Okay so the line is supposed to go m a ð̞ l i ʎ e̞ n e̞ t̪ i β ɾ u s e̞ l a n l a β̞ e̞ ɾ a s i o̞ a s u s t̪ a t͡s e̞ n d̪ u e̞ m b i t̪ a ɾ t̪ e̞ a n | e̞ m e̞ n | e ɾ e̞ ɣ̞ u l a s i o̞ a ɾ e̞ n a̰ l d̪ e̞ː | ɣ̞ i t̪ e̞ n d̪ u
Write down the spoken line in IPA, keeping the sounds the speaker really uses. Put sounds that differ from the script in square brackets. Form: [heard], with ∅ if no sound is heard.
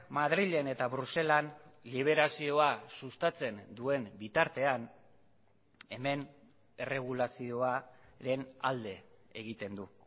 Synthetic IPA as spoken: m a ð̞ [ɾ] i ʎ e̞ n e̞ t̪ [a] β ɾ u s e̞ l a n l [i] β̞ e̞ ɾ a s i o̞ a s u s t̪ a t͡s e̞ n d̪ u e̞ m b i t̪ a ɾ t̪ e̞ a n | e̞ m e̞ n | e [r] e̞ ɣ̞ u l a s i o̞ a ɾ e̞ n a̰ l d̪ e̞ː | ɣ̞ i t̪ e̞ n d̪ u